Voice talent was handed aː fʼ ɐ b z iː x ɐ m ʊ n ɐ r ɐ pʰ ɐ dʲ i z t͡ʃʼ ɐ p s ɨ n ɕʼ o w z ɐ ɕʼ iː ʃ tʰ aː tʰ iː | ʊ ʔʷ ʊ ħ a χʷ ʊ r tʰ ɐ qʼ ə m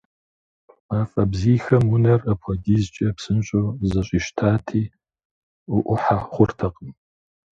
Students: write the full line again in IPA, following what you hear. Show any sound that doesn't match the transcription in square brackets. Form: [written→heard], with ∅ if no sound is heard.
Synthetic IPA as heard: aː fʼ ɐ b z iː x ɐ m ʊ n ɐ r ɐ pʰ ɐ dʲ i z t͡ʃʼ ɐ p s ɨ n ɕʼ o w z ɐ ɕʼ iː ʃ tʰ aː tʰ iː | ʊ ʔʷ ʊ ħ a χʷ ʊ r tʰ ɐ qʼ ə m